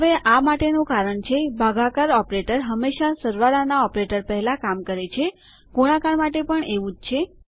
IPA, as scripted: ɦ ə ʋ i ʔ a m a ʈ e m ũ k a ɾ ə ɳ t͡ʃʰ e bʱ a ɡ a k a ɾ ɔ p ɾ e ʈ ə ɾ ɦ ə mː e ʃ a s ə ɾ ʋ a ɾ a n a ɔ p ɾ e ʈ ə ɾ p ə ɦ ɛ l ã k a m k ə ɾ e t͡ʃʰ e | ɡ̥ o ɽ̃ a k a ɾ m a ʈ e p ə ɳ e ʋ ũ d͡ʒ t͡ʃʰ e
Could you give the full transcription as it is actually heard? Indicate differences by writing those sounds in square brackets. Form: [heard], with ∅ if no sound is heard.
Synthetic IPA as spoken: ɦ ə ʋ [e] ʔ a m a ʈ e [n] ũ k a ɾ ə ɳ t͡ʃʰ e bʱ a ɡ a k a ɾ ɔ p ɾ e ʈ ə ɾ ɦ ə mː e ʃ a s ə ɾ ʋ a ɾ a n a ɔ p ɾ e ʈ ə ɾ p ə ɦ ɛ l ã k a m k ə ɾ e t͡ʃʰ e | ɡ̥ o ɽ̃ a k a ɾ m a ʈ e p ə ɳ e ʋ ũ d͡ʒ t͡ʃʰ e